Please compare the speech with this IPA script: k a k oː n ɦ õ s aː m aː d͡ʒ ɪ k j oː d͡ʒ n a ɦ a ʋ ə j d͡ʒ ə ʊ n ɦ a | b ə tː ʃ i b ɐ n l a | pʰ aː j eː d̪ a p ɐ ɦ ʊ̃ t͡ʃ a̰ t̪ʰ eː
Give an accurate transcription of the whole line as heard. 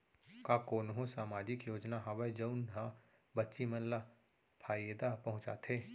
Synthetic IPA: k a k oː n ɦ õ s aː m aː d͡ʒ ɪ k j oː d͡ʒ n a ɦ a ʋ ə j d͡ʒ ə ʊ n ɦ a | b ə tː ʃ i m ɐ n l a | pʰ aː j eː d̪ a p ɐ ɦ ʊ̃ t͡ʃ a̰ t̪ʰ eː